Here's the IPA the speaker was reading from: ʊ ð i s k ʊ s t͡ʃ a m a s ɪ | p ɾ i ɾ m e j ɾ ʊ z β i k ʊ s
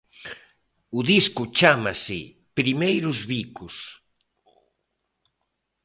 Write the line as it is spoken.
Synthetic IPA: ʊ ð i s k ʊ t͡ʃ a m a s ɪ | p ɾ i m e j ɾ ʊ z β i k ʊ s